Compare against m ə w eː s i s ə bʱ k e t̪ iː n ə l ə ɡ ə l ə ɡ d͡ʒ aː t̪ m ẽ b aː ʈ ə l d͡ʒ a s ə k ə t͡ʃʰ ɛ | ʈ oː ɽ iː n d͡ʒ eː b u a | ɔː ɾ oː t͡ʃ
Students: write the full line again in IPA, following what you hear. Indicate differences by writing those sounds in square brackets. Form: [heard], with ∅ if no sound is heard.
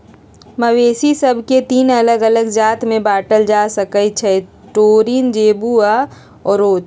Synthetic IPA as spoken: m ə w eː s i s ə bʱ k e t̪ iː n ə l ə ɡ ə l ə ɡ d͡ʒ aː t̪ m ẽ b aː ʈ ə l d͡ʒ a s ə k ə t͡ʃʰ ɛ | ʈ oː [ɾ] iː n d͡ʒ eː b u a | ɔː ɾ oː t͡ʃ

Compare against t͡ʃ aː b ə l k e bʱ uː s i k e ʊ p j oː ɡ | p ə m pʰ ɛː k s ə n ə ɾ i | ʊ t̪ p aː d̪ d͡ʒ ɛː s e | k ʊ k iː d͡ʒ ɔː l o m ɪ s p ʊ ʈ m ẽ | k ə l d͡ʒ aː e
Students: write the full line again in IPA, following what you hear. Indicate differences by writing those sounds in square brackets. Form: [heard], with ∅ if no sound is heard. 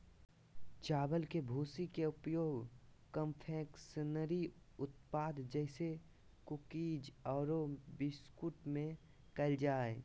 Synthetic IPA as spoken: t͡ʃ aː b ə l k e bʱ uː s i k e ʊ p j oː ɡ | [k] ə m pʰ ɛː k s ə n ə ɾ i | ʊ t̪ p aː d̪ d͡ʒ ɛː s e | k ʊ k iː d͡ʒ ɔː [ɾ] o [b] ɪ s [k] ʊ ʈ m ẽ | k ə l d͡ʒ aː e

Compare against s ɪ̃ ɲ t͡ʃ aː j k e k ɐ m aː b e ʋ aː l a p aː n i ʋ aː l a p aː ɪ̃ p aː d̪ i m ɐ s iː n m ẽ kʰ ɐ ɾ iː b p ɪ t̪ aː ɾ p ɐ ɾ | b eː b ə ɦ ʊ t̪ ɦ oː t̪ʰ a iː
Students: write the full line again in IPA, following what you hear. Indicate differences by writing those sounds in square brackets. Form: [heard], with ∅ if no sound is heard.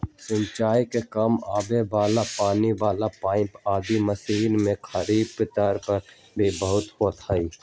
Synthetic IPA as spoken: s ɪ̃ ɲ t͡ʃ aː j k e k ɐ m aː b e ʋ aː l a p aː n i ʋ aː l a p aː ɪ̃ p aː d̪ i m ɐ s iː n m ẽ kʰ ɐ ɾ iː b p ɪ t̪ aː ɾ p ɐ ɾ | b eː b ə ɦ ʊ t̪ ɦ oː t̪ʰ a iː

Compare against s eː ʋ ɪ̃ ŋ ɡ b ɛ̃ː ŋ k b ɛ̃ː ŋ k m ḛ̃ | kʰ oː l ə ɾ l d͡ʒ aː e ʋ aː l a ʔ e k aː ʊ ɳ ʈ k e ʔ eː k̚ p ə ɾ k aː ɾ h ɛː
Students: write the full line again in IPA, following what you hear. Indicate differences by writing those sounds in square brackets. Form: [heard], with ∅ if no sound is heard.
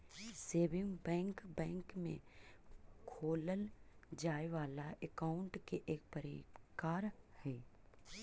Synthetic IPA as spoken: s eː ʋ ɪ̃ ŋ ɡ b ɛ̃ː ŋ k b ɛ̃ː ŋ k m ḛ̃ | kʰ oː l ə [∅] l d͡ʒ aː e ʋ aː l a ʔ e k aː ʊ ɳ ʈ k e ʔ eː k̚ p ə ɾ k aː ɾ h ɛː

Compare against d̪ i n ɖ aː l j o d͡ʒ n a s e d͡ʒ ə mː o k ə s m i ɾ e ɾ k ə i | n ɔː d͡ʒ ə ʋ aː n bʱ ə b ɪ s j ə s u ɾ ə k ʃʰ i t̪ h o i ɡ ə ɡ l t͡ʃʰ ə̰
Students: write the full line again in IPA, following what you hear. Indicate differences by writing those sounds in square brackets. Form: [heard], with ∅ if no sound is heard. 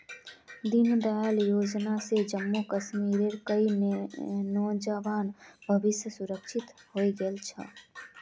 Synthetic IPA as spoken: d̪ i n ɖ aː l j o d͡ʒ n a s e d͡ʒ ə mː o k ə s m i ɾ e ɾ k ə i | n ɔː d͡ʒ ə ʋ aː n bʱ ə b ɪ s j ə s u ɾ ə k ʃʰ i t̪ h o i ɡ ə [∅] l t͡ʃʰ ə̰

